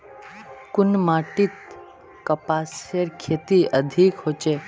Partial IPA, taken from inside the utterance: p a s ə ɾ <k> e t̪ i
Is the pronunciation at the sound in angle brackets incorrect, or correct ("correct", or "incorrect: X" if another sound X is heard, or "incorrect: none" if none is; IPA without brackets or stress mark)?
incorrect: kʰ